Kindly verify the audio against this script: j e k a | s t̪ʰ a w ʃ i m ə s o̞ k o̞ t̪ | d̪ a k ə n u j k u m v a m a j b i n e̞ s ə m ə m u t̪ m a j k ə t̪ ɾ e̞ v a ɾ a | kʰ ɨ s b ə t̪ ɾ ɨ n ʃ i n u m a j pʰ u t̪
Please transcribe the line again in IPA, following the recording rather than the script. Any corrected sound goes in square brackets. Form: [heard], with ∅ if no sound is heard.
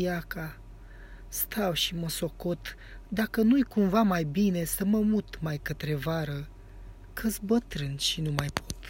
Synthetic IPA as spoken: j [a] k a | s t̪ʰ a w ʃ i m ə s o̞ k o̞ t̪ | d̪ a k ə n u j k u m v a m a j b i n e̞ s ə m ə m u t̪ m a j k ə t̪ ɾ e̞ v a ɾ [ə] | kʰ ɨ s b ə t̪ ɾ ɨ n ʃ i n u m a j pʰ [o] t̪